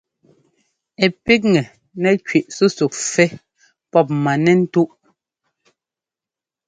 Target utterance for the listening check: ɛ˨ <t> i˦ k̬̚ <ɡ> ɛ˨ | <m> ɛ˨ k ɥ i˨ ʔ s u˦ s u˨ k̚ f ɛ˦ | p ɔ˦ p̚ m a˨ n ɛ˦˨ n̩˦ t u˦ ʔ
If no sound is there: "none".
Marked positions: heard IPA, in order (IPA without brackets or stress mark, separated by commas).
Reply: p, ŋ, n